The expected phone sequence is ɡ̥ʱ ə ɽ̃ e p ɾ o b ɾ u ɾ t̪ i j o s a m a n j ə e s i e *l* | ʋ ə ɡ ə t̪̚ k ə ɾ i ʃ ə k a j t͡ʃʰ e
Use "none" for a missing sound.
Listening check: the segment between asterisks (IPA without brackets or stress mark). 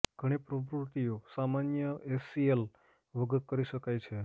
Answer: l